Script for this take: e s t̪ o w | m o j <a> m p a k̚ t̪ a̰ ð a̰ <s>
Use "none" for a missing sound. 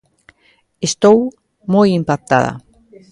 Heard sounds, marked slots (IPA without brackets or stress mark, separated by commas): i, none